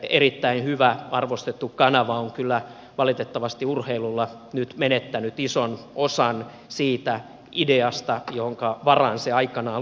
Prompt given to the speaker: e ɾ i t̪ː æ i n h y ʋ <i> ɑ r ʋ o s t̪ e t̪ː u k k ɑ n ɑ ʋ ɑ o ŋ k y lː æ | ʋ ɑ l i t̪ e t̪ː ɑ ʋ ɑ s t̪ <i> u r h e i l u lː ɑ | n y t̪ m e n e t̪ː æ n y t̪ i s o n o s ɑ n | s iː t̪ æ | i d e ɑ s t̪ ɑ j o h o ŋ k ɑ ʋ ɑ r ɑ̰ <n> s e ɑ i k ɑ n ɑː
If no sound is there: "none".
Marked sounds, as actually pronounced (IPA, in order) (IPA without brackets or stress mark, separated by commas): æ, i, n